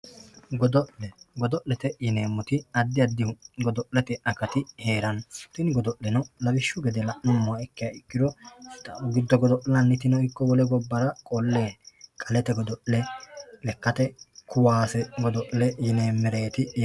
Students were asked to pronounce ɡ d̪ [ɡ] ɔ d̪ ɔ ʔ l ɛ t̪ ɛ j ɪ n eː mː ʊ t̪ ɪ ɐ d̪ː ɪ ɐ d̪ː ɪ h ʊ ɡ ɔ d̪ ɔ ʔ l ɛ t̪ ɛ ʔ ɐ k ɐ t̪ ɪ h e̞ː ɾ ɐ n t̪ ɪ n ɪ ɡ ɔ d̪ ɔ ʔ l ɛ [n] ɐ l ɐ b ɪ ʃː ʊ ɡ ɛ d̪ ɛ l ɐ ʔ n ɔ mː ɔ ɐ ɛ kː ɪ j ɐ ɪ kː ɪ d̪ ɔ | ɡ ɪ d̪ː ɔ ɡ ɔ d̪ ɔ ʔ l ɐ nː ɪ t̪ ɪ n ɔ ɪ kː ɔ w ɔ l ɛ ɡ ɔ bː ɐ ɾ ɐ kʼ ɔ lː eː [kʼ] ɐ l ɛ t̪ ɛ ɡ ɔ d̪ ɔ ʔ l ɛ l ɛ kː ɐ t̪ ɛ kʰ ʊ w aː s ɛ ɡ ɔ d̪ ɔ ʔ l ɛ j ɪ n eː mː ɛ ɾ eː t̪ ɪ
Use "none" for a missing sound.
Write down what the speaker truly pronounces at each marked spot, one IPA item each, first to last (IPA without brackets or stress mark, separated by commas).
ɡ, n, kʼ